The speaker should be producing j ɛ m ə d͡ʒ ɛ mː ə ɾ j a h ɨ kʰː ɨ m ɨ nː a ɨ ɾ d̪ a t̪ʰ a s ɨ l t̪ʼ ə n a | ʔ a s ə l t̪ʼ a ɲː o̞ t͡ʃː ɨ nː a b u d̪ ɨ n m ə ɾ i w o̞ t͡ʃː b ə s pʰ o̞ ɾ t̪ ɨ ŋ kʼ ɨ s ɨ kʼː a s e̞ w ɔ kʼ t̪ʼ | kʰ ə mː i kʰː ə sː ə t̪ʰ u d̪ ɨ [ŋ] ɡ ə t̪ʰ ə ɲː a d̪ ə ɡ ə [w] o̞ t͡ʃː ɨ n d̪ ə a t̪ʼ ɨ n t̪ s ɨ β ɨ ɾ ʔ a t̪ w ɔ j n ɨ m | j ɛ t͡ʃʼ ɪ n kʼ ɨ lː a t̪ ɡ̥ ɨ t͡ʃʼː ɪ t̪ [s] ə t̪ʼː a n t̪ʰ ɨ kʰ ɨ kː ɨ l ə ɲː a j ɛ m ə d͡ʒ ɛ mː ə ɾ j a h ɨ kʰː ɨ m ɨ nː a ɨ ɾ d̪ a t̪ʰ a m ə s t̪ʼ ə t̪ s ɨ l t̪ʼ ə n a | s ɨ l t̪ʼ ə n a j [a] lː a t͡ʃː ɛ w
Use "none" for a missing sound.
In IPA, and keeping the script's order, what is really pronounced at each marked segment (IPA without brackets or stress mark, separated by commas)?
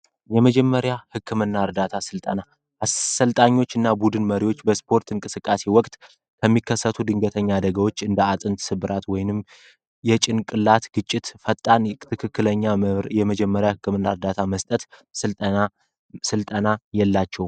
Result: ŋ, w, f, ɛ